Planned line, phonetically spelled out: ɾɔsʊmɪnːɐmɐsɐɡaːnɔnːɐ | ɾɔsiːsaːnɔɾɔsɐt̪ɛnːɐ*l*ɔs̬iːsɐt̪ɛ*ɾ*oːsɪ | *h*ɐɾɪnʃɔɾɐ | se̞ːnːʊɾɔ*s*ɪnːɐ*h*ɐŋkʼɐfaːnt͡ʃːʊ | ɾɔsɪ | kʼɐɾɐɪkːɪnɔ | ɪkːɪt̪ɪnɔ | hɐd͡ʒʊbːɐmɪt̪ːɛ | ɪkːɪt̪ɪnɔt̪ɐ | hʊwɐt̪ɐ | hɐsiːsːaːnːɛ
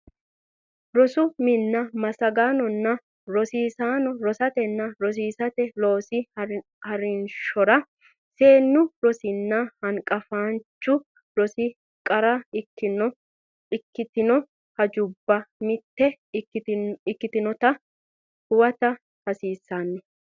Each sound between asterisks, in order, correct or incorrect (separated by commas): incorrect, incorrect, correct, correct, correct